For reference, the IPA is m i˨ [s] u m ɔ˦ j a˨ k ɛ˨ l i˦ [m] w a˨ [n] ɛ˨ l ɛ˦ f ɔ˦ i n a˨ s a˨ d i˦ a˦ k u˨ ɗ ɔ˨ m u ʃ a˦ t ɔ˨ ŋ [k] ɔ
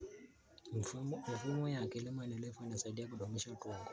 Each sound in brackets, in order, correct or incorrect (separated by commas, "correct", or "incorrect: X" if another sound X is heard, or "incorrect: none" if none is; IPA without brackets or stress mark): incorrect: f, correct, correct, incorrect: ɡ